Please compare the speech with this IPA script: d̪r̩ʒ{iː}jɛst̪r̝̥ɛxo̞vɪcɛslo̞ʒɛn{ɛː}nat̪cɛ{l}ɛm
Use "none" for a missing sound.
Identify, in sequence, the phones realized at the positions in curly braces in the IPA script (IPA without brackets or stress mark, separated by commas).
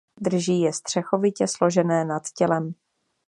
iː, ɛː, l